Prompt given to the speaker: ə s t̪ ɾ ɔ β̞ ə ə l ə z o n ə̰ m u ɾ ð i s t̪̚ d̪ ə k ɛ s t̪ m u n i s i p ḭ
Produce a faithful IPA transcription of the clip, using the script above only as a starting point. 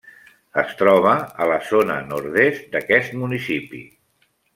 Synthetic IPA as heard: ə s t̪ ɾ ɔ β̞ ə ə l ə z o n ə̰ n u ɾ ð e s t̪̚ d̪ ə k ɛ s t̪ m u n i s i p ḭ